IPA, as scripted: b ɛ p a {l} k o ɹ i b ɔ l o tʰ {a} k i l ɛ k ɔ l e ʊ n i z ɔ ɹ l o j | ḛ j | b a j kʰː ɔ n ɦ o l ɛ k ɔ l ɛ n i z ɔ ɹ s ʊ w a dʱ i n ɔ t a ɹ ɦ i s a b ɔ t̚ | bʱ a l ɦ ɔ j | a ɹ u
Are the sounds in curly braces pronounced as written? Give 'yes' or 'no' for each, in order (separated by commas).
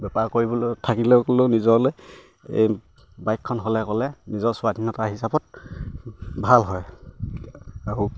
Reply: no, yes